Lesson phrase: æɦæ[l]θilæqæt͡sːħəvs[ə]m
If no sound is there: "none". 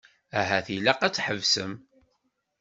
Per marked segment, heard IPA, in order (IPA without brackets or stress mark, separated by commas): none, ə